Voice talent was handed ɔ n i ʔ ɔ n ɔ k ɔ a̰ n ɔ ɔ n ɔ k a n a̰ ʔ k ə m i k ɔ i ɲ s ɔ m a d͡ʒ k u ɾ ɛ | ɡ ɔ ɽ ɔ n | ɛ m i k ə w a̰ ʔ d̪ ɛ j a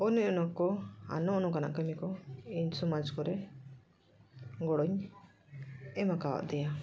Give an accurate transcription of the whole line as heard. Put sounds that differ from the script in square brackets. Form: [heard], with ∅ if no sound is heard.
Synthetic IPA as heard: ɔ n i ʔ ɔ n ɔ k ɔ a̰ n ɔ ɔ n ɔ k a n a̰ ʔ k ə m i k ɔ i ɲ s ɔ m a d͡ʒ k [ɔ] ɾ ɛ | ɡ ɔ ɽ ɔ [ɲ] | ɛ m [a] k [a] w a̰ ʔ d̪ ɛ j a